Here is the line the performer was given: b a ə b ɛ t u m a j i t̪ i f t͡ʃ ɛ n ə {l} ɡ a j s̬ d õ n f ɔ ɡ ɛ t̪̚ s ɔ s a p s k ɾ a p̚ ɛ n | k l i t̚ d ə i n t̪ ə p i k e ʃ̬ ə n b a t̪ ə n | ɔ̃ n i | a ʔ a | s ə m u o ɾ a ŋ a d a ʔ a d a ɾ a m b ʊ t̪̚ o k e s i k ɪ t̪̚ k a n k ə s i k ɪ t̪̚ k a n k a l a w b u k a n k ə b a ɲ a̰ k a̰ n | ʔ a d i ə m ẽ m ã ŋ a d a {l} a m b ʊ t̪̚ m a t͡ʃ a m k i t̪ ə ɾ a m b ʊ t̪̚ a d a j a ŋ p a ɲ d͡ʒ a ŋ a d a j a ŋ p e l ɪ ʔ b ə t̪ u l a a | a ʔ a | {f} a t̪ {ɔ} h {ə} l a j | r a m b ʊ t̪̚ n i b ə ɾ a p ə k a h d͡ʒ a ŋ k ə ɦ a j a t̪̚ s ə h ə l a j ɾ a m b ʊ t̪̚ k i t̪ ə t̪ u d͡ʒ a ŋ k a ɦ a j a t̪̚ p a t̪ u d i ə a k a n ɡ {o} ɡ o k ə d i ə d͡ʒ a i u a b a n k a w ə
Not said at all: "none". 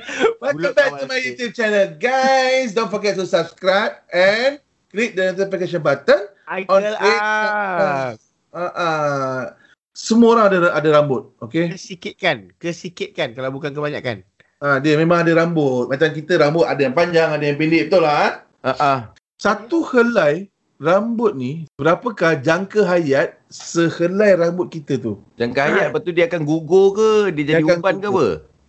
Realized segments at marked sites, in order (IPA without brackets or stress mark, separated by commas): l, ɾ, s, u, ə, u